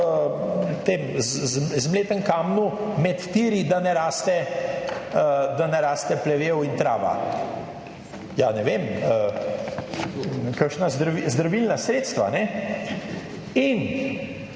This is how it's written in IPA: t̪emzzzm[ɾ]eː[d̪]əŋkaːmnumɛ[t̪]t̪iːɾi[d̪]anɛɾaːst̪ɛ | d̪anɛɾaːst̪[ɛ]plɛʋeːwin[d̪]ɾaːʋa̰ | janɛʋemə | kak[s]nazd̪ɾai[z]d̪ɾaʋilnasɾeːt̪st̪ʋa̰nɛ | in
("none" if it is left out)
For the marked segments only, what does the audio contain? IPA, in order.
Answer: l, t̪, t̪, d̪, ɛ, t̪, ʃ, z

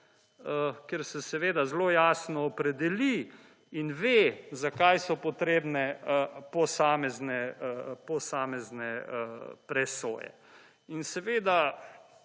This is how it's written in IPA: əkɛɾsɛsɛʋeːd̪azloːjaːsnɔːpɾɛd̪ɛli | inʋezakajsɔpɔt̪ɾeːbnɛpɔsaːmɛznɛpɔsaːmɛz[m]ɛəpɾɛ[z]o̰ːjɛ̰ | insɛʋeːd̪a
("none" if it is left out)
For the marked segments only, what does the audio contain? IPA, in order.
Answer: n, s

